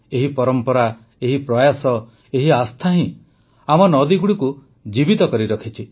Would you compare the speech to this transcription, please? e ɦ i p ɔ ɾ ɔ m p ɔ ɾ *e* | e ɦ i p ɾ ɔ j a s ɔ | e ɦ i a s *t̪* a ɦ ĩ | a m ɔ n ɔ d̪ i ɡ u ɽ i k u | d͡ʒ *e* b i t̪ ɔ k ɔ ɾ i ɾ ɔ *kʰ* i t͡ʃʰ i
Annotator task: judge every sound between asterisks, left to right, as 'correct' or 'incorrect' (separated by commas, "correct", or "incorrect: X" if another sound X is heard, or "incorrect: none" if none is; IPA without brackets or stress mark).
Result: incorrect: a, incorrect: t̪ʰ, incorrect: i, correct